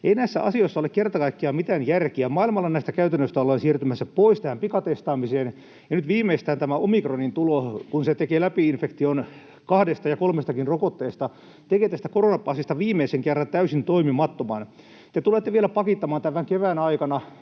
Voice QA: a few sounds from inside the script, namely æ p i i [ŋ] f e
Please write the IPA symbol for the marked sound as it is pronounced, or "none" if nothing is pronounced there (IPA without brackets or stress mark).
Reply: n